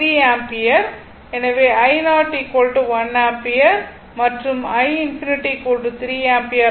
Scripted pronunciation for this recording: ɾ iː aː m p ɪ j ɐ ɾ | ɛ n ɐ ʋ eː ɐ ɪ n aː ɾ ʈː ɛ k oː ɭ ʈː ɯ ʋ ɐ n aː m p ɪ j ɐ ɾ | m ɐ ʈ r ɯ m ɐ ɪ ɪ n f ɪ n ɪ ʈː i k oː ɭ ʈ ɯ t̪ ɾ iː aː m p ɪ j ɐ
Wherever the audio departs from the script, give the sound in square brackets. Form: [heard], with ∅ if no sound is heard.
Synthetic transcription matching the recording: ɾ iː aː m p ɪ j ɐ ɾ | ɛ n ɐ ʋ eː ɐ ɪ n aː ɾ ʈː [i] k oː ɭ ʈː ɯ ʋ ɐ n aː m p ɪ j ɐ ɾ | m ɐ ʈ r ɯ m ɐ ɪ ɪ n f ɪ n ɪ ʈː i k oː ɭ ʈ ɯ t̪ ɾ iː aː m p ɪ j ɐ